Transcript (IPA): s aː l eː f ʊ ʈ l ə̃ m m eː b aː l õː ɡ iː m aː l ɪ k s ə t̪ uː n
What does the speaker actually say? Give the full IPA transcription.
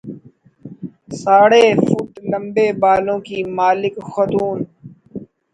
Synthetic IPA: s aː ɽ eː f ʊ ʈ l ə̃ m b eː b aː l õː k iː m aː l ɪ k x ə t̪ uː n